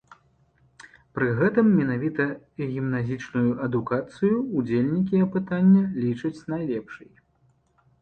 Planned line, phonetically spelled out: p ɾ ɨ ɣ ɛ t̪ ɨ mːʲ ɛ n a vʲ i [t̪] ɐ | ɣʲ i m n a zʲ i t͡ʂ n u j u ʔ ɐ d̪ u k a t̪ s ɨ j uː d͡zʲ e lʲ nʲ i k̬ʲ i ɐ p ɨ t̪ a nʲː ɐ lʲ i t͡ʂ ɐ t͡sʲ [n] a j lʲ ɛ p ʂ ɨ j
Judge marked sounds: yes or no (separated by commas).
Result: yes, yes